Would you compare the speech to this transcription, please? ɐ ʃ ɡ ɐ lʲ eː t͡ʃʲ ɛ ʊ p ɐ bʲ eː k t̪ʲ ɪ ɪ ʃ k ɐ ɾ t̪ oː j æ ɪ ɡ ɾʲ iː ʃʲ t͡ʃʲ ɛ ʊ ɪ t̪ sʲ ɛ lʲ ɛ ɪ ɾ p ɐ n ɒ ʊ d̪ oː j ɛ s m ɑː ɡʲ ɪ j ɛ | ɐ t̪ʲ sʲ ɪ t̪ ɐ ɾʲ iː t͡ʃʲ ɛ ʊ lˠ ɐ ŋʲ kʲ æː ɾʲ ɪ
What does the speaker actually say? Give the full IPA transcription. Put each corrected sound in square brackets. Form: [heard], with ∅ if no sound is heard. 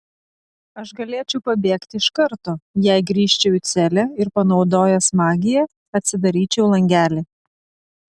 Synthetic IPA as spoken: ɐ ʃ ɡ ɐ lʲ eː t͡ʃʲ ɛ ʊ p ɐ bʲ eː k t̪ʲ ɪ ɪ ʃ k ɐ ɾ t̪ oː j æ ɪ ɡ ɾʲ iː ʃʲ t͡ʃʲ ɛ ʊ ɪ t̪ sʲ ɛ lʲ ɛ ɪ ɾ p ɐ n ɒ ʊ d̪ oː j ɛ s m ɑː ɡʲ ɪ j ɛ | ɐ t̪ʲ sʲ ɪ [d̪] ɐ ɾʲ iː t͡ʃʲ ɛ ʊ lˠ ɐ ŋʲ [ɡʲ] æː [lʲ] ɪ